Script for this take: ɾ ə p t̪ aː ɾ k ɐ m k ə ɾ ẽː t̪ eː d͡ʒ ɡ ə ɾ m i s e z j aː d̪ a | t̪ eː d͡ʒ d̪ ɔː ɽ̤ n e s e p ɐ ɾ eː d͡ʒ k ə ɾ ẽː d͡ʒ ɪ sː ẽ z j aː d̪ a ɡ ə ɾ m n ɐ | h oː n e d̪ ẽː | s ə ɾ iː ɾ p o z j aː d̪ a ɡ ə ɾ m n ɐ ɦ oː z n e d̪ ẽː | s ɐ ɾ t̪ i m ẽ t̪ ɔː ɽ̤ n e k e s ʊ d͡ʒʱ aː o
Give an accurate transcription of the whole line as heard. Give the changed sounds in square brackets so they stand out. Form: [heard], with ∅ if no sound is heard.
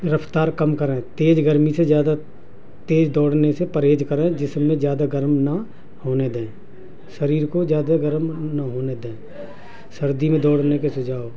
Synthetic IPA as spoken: ɾ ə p t̪ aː ɾ k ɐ m k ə ɾ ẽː t̪ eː d͡ʒ ɡ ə ɾ m i s e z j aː d̪ a | t̪ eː d͡ʒ d̪ ɔː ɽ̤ n e s e p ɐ ɾ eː d͡ʒ k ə ɾ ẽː d͡ʒ ɪ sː ẽ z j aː d̪ a ɡ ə ɾ m n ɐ | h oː n e d̪ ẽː | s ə ɾ iː ɾ [k] o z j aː d̪ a ɡ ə ɾ m n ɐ ɦ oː [∅] n e d̪ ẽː | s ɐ ɾ [d̪] i m ẽ [d̪] ɔː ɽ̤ n e k e s ʊ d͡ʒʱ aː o

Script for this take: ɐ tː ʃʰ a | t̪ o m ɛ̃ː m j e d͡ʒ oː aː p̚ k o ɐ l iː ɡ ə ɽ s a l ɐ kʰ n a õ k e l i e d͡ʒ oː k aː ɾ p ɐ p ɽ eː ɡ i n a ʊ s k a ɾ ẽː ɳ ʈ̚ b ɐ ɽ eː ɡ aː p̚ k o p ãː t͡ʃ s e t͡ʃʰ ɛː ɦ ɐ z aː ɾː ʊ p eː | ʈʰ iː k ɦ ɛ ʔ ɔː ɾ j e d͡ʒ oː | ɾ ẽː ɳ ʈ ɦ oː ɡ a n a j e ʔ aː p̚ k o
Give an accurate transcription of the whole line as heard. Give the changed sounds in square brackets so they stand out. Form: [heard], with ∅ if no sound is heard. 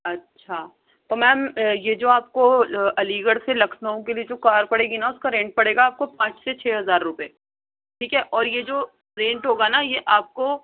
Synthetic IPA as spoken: ɐ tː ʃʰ a | t̪ o m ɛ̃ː m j e d͡ʒ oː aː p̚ k o ɐ l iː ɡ ə ɽ s [e] l ɐ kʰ n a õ k e l i e d͡ʒ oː k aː ɾ p ɐ [∅] ɽ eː ɡ i n a ʊ s k a ɾ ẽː ɳ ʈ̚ [p] ɐ ɽ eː ɡ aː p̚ k o p ãː t͡ʃ s e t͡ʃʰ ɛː ɦ ɐ z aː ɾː ʊ p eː | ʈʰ iː k ɦ ɛ ʔ ɔː ɾ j e d͡ʒ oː | ɾ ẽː ɳ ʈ ɦ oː ɡ a n a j e ʔ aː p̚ k o

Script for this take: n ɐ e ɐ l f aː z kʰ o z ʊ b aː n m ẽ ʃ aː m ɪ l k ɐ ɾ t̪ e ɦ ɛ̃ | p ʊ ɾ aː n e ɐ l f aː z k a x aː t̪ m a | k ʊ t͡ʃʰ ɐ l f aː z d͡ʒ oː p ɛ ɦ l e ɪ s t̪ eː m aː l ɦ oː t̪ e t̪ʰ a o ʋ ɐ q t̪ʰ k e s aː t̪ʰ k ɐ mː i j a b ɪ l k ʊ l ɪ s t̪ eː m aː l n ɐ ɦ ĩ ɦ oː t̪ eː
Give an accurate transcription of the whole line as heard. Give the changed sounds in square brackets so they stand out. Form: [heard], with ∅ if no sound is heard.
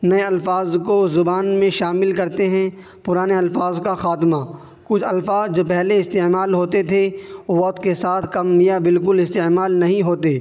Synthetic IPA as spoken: n ɐ e ɐ l f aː z [k] o z ʊ b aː n m ẽ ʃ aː m ɪ l k ɐ ɾ t̪ e ɦ ɛ̃ | p ʊ ɾ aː n e ɐ l f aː z k a x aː t̪ m a | k ʊ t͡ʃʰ ɐ l f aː z d͡ʒ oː p ɛ ɦ l e ɪ s t̪ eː m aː l ɦ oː t̪ e t̪ʰ [e] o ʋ ɐ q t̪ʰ k e s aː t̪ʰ k ɐ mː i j a b ɪ l k ʊ l ɪ s t̪ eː m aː l n ɐ ɦ ĩ ɦ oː t̪ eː

